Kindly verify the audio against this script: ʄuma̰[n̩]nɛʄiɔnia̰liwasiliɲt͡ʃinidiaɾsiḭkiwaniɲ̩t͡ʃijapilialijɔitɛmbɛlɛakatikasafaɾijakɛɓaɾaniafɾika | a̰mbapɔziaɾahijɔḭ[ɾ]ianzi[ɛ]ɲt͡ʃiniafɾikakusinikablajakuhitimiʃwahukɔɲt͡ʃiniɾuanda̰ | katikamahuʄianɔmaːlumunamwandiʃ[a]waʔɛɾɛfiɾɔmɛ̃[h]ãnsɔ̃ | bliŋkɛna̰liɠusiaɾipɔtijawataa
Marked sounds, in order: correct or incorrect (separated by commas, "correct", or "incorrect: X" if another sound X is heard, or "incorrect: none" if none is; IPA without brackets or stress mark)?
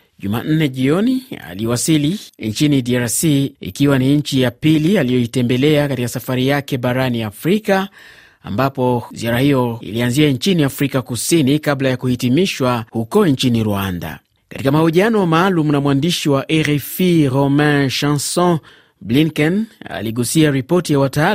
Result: correct, incorrect: l, incorrect: a, incorrect: i, incorrect: ʃ